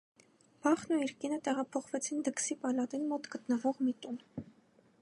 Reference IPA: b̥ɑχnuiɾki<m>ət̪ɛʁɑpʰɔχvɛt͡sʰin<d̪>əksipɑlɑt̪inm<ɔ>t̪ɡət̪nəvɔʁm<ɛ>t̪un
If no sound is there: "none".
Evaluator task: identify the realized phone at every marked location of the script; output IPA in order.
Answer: n, d̪, ɔ, i

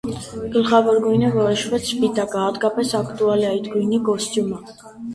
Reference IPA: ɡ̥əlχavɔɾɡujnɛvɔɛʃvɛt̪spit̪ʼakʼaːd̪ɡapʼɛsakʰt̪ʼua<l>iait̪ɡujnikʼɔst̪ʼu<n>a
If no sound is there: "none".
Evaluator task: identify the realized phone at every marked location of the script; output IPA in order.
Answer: l, m

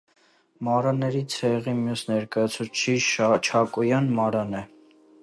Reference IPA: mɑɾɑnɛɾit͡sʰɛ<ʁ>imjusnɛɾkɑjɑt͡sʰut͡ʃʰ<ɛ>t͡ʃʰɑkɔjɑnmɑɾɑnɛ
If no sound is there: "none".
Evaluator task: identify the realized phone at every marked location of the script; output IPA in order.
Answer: ʁ, i

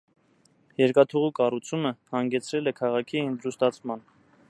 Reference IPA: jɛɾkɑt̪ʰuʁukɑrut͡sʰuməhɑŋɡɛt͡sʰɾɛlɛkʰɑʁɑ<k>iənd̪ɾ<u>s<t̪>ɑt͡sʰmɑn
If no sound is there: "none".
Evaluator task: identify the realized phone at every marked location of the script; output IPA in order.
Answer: kʰ, u, t̪

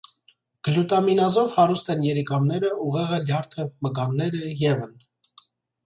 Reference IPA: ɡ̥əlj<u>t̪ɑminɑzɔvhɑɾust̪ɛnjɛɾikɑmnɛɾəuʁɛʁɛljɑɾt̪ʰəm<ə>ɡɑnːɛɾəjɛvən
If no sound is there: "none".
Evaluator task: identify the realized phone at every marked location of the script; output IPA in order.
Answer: u, ə

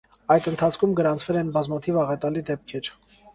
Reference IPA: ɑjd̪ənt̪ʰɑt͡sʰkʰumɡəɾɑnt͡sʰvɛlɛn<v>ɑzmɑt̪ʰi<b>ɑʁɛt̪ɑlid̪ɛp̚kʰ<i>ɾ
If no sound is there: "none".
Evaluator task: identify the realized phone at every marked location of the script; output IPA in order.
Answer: b, v, ɛ

